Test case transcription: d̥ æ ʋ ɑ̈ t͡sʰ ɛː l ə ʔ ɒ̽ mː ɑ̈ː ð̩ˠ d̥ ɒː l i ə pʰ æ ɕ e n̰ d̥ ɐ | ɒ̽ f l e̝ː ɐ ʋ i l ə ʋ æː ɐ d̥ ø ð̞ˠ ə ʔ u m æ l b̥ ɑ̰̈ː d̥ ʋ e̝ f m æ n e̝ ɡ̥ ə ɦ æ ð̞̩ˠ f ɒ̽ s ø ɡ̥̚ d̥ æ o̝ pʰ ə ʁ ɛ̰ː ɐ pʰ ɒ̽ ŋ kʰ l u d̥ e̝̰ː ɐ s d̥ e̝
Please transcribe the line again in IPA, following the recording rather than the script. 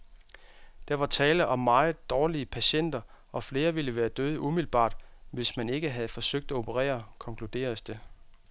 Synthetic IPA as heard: d̥ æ ʋ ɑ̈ t͡sʰ ɛː l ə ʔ ɒ̽ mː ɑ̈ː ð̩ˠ d̥ ɒː l i ə pʰ æ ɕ e n̰ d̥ ɐ | ɒ̽ f l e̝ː ɐ ʋ i l ə ʋ æː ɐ d̥ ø ð̞ˠ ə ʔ u m i l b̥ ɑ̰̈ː d̥ ʋ e̝ s m æ n e̝ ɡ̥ ə ɦ æ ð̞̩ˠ f ɒ̽ s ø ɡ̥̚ d̥ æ o̝ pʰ ə ʁ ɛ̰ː ɐ kʰ ɒ̽ ŋ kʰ l u d̥ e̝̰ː ɐ s d̥ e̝